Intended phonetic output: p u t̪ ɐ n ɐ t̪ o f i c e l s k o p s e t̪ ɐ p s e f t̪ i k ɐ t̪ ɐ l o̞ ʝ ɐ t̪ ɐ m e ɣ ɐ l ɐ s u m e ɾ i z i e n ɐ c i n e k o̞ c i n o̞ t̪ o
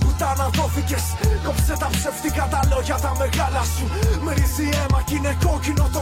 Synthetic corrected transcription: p u t̪ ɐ n ɐ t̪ o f i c e s k o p s e t̪ ɐ p s e f t̪ i k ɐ t̪ ɐ l o̞ ʝ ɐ t̪ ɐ m e ɣ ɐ l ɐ s u m e ɾ i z i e m ɐ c i n e k o̞ c i n o̞ t̪ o